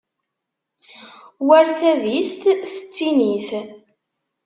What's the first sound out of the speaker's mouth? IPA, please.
w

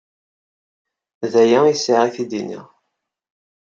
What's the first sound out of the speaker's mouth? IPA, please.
ð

